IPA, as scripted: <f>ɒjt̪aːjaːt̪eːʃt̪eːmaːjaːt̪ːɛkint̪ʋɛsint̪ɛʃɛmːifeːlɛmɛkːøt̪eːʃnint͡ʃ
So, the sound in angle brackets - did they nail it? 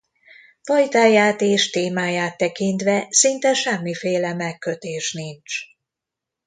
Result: yes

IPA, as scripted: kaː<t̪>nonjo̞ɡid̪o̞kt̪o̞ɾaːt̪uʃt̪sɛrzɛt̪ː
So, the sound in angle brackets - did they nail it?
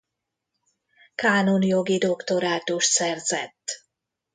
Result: no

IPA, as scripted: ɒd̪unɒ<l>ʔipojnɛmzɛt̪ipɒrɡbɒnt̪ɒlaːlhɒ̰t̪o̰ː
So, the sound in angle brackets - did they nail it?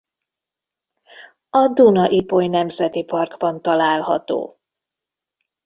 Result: no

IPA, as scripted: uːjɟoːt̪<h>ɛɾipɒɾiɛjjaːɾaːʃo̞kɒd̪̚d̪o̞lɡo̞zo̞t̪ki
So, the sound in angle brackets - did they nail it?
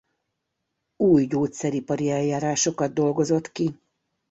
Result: no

